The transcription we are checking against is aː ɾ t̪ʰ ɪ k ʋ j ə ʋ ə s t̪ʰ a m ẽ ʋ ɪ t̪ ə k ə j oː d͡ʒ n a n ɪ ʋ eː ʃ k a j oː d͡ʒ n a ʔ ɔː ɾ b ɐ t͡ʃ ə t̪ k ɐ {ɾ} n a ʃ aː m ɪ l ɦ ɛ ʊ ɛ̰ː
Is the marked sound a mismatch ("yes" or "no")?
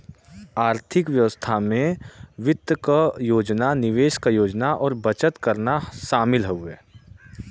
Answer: no